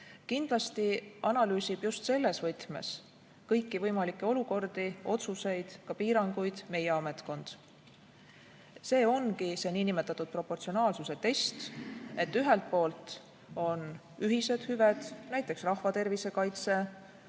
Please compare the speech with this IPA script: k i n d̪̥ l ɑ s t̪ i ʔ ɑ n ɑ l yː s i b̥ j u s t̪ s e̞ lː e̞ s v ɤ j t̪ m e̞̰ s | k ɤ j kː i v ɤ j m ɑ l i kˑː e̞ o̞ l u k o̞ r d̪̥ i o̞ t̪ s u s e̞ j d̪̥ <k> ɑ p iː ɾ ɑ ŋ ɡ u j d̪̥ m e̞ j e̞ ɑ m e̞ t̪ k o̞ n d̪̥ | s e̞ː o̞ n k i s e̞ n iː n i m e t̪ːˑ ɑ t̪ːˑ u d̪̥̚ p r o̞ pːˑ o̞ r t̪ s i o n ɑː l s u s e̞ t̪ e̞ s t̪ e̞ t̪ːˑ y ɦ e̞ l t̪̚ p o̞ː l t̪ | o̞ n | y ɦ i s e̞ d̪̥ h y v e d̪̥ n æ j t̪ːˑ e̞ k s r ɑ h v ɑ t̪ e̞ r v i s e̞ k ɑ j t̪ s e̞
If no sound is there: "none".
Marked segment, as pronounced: k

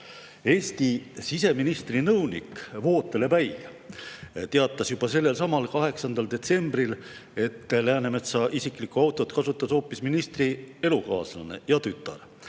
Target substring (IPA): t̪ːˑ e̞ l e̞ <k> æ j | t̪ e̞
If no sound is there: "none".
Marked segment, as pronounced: p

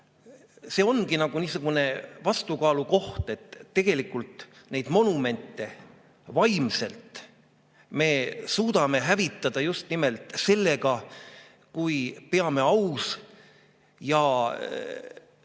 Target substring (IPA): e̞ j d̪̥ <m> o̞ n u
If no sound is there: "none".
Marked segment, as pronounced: m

